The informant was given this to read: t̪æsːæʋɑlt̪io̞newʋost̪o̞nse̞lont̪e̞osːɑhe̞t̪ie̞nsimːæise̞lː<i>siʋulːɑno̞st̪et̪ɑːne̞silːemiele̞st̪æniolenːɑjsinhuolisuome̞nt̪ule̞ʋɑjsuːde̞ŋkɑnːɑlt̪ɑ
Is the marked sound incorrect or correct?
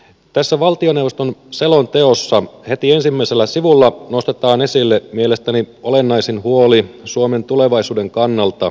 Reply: incorrect